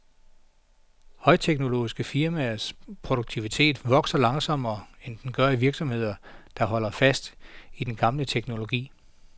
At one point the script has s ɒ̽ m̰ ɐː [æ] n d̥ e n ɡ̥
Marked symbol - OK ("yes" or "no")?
no